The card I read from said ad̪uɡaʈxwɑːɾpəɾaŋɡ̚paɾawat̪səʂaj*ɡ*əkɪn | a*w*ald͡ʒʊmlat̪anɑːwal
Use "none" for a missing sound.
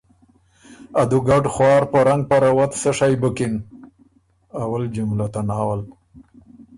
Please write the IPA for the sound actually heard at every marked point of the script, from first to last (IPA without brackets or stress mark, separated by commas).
b, w